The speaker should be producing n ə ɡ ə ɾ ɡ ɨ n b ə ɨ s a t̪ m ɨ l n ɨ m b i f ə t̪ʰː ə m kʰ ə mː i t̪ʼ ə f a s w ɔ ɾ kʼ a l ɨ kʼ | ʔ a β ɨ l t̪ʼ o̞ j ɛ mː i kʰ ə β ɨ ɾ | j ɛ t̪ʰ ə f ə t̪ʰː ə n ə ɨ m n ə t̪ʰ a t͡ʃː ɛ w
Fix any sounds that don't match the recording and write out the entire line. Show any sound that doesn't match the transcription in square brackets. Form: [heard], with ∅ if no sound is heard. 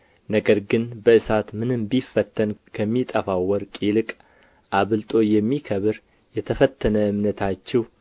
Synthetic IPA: n ə ɡ ə ɾ ɡ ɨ n b ə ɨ s a t̪ m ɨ [∅] n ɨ m b i f ə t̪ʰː ə [n] kʰ ə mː i t̪ʼ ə f a [∅] w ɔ ɾ kʼ [i] l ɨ kʼ | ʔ a β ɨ l t̪ʼ o̞ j ɛ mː i kʰ ə β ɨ ɾ | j ɛ t̪ʰ ə f ə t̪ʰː ə n ə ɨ m n ə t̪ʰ a t͡ʃː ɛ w

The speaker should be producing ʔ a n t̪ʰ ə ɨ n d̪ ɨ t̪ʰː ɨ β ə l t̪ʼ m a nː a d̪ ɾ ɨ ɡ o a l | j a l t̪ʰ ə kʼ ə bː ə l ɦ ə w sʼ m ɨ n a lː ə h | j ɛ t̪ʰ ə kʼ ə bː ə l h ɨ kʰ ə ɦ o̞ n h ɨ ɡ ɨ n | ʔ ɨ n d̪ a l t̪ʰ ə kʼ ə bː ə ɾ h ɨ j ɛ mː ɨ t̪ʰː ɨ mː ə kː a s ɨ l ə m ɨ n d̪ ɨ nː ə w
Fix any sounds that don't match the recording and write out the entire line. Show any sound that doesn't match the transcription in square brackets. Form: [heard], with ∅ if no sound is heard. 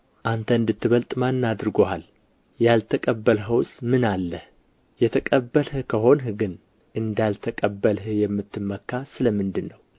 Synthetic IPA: ʔ a n t̪ʰ ə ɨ n d̪ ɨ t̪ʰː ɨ β ə l t̪ʼ m a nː a d̪ ɾ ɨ ɡ o a l | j a l t̪ʰ ə kʼ ə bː ə l ɦ ə w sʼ m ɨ n a lː ə h | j ɛ t̪ʰ ə kʼ ə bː ə l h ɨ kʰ ə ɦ o̞ n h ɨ ɡ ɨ n | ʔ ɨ n d̪ a l t̪ʰ ə kʼ ə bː ə [l] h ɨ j ɛ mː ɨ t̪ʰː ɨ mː ə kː a s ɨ l ə m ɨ n d̪ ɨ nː ə w

